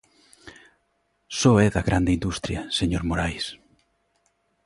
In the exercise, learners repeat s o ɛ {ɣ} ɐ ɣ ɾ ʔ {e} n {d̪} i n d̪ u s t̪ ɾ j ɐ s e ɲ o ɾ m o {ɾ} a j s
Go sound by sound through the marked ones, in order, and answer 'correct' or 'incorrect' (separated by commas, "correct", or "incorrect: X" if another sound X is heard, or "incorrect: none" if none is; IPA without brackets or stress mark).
incorrect: ð, incorrect: a, correct, correct